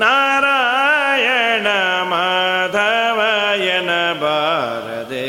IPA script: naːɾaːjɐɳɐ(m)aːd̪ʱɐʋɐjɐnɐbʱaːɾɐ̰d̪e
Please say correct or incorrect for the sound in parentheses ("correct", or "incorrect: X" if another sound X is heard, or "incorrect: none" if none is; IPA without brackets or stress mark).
correct